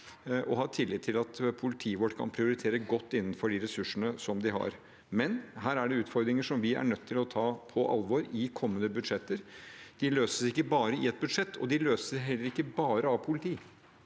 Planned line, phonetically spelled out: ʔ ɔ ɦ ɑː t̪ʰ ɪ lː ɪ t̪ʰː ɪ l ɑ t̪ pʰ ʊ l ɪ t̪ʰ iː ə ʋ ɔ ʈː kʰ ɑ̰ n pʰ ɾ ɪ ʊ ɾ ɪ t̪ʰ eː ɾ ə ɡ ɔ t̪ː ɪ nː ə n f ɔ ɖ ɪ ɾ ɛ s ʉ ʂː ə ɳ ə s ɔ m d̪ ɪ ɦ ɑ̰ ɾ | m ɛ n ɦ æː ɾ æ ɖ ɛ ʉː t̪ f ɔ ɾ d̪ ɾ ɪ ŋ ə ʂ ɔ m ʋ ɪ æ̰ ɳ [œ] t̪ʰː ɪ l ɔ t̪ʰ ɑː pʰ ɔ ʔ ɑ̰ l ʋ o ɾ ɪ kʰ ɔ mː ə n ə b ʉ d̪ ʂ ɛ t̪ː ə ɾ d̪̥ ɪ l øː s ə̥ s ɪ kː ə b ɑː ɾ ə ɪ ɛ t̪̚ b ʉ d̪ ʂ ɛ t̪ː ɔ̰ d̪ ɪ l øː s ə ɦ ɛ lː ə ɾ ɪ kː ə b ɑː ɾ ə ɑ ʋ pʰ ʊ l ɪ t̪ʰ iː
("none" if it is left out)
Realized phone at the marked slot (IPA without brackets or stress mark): œ